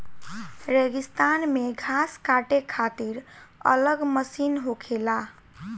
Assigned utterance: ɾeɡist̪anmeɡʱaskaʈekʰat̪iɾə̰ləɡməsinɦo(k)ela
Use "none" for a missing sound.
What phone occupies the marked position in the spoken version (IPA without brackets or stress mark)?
kʰ